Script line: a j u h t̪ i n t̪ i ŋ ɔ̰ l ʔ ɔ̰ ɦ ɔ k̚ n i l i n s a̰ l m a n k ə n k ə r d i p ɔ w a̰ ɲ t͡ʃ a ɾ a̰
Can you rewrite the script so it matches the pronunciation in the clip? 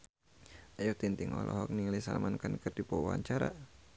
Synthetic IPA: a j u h t̪ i n t̪ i ŋ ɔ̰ l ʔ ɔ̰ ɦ ɔ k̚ n i l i s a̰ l m a n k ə n k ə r d i p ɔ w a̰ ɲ t͡ʃ a ɾ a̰